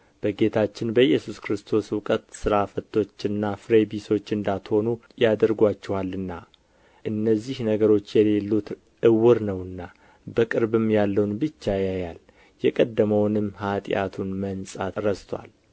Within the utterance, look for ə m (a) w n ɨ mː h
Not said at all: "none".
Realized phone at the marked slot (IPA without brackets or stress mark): ə